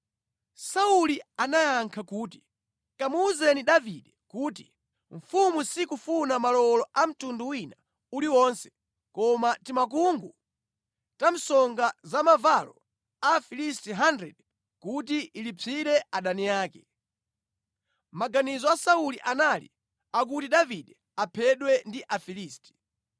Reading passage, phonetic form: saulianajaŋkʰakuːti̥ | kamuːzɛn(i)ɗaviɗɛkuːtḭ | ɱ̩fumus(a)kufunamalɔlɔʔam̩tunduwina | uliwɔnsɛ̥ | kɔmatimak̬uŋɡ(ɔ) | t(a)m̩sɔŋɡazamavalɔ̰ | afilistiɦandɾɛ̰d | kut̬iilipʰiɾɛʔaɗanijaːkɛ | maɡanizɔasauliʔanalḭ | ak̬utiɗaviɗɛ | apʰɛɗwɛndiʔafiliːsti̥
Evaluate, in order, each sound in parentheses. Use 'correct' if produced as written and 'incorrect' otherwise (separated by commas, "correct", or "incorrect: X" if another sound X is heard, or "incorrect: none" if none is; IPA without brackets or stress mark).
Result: correct, incorrect: i, incorrect: u, correct